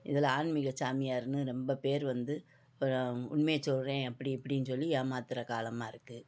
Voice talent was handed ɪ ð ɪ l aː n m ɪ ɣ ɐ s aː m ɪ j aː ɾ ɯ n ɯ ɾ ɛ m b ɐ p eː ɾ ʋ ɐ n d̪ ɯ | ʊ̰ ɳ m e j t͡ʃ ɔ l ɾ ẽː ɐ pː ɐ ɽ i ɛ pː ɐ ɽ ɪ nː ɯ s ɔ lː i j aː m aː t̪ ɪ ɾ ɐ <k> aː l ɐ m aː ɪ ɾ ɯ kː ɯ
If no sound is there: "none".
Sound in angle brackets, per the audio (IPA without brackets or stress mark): k